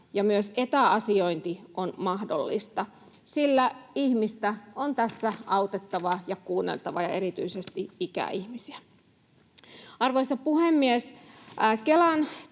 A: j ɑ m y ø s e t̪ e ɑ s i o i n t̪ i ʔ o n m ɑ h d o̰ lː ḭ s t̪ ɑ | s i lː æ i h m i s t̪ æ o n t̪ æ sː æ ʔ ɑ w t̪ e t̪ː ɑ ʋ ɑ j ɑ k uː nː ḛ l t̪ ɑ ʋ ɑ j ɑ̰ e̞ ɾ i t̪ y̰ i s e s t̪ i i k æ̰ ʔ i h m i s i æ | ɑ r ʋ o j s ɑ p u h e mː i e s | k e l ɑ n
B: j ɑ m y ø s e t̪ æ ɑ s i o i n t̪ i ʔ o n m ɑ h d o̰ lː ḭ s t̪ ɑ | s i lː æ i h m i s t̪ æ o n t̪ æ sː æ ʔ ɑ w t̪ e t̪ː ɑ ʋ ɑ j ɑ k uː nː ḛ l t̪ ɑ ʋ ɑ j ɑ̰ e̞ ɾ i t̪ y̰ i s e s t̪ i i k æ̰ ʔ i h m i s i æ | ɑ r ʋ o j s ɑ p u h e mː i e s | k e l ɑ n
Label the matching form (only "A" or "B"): B